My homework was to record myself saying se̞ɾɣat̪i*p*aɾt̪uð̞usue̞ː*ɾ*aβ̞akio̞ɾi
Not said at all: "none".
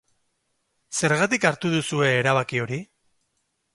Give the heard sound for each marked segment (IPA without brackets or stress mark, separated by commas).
k, ɾ